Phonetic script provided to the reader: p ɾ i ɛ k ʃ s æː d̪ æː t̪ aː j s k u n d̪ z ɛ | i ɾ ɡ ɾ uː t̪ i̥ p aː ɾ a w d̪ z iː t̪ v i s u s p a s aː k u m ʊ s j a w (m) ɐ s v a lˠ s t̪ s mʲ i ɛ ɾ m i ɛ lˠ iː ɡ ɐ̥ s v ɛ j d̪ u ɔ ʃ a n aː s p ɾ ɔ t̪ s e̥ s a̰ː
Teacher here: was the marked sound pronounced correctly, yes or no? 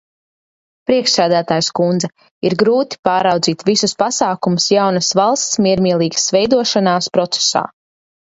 no